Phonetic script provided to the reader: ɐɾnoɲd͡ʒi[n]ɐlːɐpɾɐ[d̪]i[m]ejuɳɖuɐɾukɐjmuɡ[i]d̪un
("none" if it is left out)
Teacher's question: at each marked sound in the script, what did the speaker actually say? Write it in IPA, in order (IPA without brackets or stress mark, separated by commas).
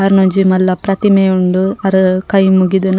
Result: m, t̪, m, i